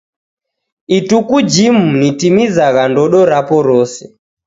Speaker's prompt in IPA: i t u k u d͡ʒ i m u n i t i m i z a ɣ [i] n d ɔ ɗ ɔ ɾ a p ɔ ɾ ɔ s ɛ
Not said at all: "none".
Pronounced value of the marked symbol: a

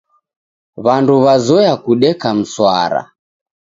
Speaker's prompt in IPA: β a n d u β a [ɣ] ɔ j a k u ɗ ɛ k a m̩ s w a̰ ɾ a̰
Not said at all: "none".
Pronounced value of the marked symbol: z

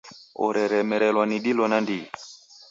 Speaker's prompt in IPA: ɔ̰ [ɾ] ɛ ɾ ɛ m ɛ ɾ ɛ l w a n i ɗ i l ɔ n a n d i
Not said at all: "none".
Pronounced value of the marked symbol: ɾ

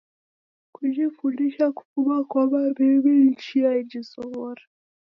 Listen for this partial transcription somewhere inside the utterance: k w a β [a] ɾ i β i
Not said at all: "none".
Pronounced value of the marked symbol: a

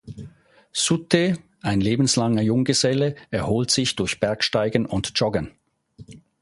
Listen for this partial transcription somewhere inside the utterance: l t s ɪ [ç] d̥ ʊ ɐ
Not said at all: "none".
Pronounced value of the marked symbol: ç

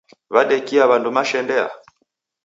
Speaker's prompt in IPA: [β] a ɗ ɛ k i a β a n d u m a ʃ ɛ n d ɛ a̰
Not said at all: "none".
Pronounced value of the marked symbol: β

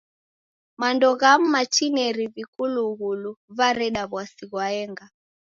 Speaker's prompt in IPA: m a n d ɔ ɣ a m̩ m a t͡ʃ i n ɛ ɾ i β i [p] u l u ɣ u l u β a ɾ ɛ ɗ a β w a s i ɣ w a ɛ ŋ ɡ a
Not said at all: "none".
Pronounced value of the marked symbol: k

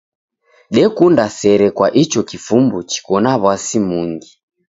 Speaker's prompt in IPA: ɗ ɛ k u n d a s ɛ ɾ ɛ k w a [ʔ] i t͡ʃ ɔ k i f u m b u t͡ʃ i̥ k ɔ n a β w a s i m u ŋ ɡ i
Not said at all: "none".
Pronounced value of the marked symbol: ʔ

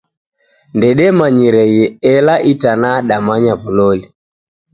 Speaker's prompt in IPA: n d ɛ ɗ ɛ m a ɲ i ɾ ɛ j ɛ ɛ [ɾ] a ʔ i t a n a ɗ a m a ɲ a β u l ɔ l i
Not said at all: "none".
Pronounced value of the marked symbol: l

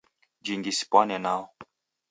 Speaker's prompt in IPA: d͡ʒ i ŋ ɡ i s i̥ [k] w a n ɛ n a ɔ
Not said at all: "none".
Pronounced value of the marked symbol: p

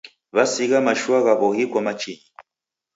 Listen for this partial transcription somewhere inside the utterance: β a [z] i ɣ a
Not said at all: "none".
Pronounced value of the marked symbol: s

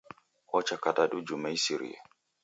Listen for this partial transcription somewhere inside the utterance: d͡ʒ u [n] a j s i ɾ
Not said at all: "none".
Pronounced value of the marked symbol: m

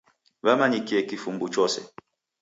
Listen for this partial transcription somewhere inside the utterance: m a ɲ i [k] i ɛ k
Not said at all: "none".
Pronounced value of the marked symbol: k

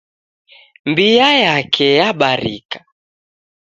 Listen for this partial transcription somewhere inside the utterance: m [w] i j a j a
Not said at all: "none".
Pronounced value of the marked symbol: b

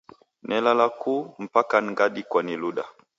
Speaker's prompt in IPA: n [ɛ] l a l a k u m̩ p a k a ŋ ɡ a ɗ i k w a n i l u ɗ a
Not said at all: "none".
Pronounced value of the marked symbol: ɛ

